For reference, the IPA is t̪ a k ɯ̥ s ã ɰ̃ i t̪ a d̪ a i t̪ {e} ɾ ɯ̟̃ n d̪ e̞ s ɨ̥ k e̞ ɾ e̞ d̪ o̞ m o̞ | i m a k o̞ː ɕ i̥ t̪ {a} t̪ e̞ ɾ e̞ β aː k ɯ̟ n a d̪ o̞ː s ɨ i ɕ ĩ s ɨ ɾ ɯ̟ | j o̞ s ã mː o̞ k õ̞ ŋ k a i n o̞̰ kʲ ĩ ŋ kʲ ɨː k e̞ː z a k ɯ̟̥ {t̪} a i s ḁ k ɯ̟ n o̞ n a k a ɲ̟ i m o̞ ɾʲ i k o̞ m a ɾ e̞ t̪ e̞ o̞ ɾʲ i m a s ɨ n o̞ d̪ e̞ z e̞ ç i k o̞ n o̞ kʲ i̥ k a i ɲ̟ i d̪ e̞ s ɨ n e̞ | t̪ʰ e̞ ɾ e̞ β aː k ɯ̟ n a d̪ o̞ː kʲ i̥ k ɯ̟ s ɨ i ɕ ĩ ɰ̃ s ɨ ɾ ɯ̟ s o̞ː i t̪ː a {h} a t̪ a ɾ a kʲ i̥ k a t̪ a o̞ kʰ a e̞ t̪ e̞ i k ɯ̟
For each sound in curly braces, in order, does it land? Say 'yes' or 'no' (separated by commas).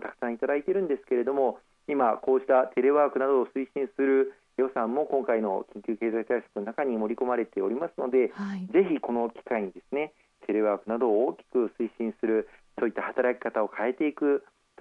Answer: yes, yes, yes, yes